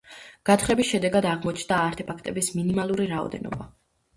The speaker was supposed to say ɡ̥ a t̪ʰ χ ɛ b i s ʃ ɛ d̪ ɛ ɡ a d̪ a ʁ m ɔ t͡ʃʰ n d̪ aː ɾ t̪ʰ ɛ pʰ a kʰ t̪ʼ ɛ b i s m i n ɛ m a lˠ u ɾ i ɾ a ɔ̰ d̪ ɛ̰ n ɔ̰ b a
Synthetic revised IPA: ɡ̥ a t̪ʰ χ ɛ b i s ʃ ɛ d̪ ɛ ɡ a d̪ a ʁ m ɔ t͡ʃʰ n d̪ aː ɾ t̪ʰ ɛ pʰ a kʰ t̪ʼ ɛ b i s m i n i m a lˠ u ɾ i ɾ a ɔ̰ d̪ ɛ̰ n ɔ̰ b a